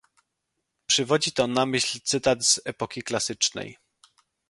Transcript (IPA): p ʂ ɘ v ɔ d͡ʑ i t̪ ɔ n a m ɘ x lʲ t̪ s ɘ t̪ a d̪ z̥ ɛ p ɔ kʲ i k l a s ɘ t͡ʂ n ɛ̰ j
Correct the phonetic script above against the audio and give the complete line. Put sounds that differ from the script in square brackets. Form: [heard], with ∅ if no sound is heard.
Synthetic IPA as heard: p ʂ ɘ v ɔ d͡ʑ i t̪ ɔ n a m ɘ [ɕ] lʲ t̪ s ɘ t̪ a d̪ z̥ ɛ p ɔ kʲ i k l a s ɘ t͡ʂ n ɛ̰ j